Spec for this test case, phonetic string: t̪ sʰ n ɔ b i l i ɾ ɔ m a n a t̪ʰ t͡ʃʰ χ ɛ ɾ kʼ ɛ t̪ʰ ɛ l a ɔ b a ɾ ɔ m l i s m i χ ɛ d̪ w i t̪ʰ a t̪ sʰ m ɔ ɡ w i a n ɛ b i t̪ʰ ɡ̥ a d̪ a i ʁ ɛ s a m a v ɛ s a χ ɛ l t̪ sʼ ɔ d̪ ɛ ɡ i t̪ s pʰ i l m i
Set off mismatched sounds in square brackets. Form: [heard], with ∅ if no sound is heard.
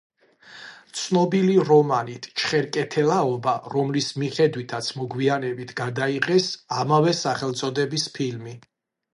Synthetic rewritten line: t̪ sʰ n ɔ b i l i ɾ ɔ m a n [i] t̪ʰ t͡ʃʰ χ ɛ ɾ kʼ ɛ t̪ʰ ɛ l a ɔ b a ɾ ɔ m l i s m i χ ɛ d̪ w i t̪ʰ a t̪ sʰ m ɔ ɡ w i a n ɛ b i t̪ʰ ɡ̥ a d̪ a i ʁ ɛ s a m a v ɛ s a χ ɛ l t̪ sʼ ɔ d̪ ɛ [b] i [∅] s pʰ i l m i

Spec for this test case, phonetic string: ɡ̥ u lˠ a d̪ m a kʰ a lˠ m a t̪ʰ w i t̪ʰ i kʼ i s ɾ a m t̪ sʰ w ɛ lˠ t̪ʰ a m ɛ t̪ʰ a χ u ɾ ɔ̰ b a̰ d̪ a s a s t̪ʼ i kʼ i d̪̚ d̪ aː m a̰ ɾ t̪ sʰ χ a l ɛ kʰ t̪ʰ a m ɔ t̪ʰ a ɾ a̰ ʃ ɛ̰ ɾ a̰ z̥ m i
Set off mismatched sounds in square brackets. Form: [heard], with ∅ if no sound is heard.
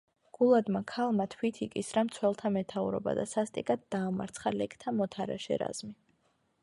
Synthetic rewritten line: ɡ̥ u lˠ a d̪ m a kʰ a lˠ m a t̪ʰ w i t̪ʰ i kʼ i s ɾ a m t̪ sʰ w ɛ lˠ t̪ʰ a m ɛ t̪ʰ a [∅] u ɾ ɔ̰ b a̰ d̪ a s a s t̪ʼ i kʼ [a] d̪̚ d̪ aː m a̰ ɾ t̪ sʰ χ a l ɛ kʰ t̪ʰ a m ɔ t̪ʰ a ɾ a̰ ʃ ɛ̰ ɾ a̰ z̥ m i

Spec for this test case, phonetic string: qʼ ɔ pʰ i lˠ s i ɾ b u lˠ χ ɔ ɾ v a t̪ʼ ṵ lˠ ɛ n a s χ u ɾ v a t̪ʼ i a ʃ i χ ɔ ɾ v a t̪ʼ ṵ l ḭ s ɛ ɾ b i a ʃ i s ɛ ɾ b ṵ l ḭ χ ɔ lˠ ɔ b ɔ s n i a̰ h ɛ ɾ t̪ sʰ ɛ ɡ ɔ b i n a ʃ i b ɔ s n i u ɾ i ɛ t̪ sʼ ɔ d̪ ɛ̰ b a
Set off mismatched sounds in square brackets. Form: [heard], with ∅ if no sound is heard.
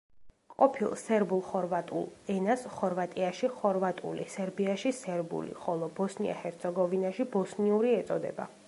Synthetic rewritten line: qʼ ɔ pʰ i lˠ s [ɛ] ɾ b u lˠ χ ɔ ɾ v a t̪ʼ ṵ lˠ ɛ n a s χ [ɔ] ɾ v a t̪ʼ i a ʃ i χ ɔ ɾ v a t̪ʼ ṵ l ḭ s ɛ ɾ b i a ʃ i s ɛ ɾ b ṵ l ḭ χ ɔ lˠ ɔ b ɔ s n i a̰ h ɛ ɾ t̪ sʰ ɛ ɡ ɔ [v] i n a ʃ i b ɔ s n i u ɾ i ɛ t̪ sʼ ɔ d̪ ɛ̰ b a

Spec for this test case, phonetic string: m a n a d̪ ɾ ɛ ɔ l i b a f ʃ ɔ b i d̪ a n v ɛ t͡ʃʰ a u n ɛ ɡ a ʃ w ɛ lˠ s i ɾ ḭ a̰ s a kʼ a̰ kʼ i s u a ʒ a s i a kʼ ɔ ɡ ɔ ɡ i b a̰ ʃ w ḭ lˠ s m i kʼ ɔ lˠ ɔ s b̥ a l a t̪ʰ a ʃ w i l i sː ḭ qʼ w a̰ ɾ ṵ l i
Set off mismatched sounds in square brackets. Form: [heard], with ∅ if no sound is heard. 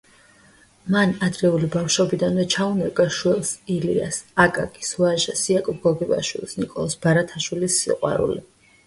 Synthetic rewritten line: m a n a d̪ ɾ ɛ [u] l i b a f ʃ ɔ b i d̪ a n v ɛ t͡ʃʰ a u n ɛ ɡ a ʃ w ɛ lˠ s i [l] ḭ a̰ s a kʼ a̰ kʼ i s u a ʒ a s i a kʼ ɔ ɡ ɔ ɡ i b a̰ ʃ w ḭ lˠ s [n] i kʼ ɔ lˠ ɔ s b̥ a [ɾ] a t̪ʰ a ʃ w i l i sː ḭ qʼ w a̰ ɾ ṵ l i

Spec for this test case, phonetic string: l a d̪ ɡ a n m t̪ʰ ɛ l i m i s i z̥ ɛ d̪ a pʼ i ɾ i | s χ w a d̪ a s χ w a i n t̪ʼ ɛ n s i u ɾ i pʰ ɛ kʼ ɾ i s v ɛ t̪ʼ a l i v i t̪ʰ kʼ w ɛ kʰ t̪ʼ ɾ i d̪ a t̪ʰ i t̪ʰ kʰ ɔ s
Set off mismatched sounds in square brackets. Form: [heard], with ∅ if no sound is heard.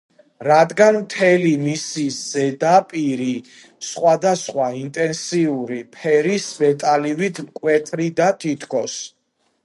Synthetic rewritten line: [ɾ] a d̪ ɡ a n m t̪ʰ ɛ l i m i s i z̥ ɛ d̪ a pʼ i ɾ i | s χ w a d̪ a s χ w a i n t̪ʼ ɛ n s i u ɾ i pʰ ɛ [∅] ɾ i s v ɛ t̪ʼ a l i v i t̪ʰ kʼ w ɛ [∅] t̪ʼ ɾ i d̪ a t̪ʰ i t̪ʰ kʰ ɔ s

